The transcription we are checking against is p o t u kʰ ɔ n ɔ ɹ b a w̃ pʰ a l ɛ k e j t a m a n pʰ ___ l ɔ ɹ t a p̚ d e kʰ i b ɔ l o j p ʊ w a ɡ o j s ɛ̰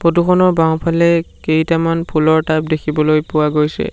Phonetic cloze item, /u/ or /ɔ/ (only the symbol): u